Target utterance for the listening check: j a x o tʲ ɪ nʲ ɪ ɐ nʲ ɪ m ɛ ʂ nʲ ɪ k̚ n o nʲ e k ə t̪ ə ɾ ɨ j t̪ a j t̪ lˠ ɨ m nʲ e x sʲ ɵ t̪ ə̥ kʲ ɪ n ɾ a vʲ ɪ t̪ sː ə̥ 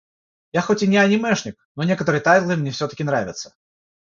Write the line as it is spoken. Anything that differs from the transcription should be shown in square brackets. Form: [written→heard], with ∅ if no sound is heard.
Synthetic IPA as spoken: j a x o tʲ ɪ nʲ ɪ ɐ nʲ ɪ m ɛ ʂ nʲ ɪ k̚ n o nʲ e k ə t̪ ə ɾ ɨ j t̪ a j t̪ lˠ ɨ m nʲ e [x→f] sʲ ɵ t̪ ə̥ kʲ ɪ n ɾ a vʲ ɪ t̪ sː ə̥